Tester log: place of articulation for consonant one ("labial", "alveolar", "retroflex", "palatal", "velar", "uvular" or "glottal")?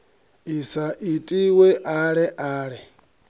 alveolar